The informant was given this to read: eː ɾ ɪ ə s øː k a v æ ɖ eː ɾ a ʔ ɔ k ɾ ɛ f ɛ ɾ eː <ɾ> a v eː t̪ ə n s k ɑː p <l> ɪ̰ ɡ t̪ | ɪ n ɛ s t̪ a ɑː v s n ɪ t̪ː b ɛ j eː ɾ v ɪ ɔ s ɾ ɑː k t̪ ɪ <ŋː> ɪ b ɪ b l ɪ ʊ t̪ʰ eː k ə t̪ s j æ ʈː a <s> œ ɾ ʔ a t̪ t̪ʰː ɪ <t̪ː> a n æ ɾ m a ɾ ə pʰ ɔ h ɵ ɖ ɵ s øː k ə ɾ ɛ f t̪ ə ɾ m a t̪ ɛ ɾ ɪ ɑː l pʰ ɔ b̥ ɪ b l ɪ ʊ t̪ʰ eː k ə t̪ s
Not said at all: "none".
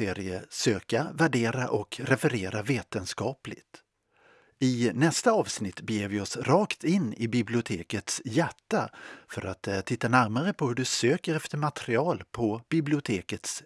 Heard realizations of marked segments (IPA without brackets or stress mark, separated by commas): ɾ, l, nː, f, t̪ː